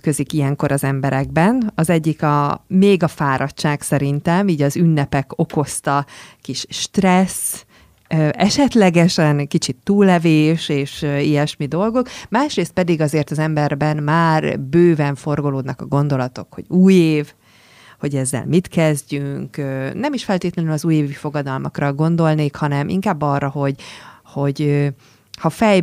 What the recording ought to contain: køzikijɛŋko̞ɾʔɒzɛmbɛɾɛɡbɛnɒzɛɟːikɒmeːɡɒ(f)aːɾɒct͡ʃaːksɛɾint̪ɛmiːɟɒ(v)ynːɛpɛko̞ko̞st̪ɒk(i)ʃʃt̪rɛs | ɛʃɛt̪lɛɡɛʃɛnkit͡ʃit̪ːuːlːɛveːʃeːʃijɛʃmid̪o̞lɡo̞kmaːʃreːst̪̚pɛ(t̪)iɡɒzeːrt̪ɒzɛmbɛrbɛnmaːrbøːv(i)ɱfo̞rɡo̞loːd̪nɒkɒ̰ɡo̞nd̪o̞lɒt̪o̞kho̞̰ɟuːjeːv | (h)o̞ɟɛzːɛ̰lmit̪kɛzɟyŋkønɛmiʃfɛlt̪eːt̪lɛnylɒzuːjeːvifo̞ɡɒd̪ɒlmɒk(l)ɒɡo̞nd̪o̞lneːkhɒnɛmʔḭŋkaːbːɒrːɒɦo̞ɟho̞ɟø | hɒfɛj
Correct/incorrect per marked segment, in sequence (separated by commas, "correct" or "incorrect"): correct, incorrect, correct, incorrect, incorrect, correct, incorrect